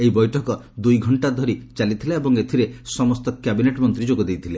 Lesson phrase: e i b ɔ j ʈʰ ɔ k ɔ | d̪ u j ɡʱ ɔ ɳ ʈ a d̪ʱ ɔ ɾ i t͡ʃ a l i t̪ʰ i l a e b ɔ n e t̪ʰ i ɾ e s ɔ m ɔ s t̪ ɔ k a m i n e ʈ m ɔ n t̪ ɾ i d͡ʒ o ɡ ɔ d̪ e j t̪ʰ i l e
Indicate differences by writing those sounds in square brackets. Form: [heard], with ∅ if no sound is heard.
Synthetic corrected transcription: e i b ɔ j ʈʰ ɔ k ɔ | d̪ u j ɡʱ ɔ ɳ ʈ a d̪ʱ ɔ ɾ i t͡ʃ a l i t̪ʰ i l a e b ɔ [ŋ] e t̪ʰ i ɾ e s ɔ m ɔ s t̪ ɔ k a [b] i n e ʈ m ɔ n t̪ ɾ i d͡ʒ o ɡ ɔ d̪ e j t̪ʰ i l e